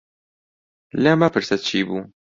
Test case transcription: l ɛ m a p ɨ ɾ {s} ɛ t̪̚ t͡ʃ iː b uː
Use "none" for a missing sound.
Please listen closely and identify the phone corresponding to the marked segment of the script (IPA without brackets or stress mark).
s